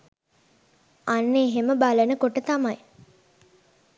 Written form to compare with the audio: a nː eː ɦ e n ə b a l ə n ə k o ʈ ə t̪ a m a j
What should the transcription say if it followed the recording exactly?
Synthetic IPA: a nː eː ɦ e m ə b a l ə n ə k o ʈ ə t̪ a m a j